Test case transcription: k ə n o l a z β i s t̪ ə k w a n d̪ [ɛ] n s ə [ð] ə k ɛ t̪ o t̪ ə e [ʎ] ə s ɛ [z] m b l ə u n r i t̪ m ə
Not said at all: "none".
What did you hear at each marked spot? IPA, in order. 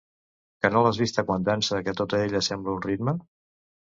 a, ð, ʎ, none

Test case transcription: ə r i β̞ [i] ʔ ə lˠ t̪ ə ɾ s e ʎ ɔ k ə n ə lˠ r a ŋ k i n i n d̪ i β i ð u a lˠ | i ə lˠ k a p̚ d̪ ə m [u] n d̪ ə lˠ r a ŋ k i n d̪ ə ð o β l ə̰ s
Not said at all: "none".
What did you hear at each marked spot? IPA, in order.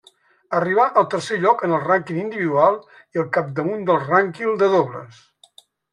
a, u

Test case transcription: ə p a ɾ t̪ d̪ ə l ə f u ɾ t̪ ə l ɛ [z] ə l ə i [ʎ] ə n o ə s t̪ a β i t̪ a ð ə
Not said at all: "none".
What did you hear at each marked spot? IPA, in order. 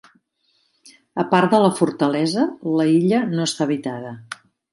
z, ʎ

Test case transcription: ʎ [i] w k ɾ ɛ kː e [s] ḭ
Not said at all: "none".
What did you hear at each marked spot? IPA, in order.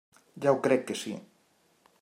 a, s

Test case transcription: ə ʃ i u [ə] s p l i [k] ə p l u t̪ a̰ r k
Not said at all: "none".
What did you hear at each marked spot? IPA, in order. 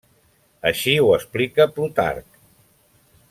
ə, k

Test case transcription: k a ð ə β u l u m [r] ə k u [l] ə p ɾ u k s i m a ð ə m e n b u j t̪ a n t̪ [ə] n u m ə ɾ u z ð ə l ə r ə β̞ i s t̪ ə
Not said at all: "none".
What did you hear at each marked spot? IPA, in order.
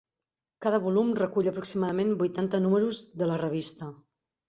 r, ʎ, ə

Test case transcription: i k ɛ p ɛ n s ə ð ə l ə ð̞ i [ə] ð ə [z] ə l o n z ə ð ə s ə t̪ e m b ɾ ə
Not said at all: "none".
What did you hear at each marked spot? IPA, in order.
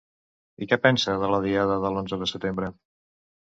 a, ð

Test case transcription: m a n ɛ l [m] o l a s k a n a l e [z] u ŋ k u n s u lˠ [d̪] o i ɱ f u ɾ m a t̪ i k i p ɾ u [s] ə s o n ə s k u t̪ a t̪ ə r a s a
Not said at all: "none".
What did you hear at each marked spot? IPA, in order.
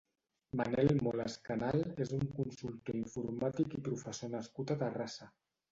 m, z, t̪, f

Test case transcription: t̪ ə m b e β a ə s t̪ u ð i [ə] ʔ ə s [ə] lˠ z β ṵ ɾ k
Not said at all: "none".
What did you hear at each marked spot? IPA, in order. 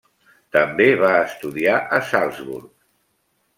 a, a

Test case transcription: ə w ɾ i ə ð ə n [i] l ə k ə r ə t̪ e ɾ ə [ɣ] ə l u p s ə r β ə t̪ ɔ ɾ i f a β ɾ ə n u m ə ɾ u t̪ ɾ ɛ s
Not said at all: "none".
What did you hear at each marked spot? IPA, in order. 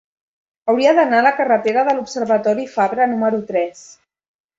a, ð

